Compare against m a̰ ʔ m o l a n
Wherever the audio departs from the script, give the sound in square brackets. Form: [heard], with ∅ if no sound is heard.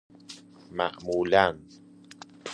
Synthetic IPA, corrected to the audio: m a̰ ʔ m [u] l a n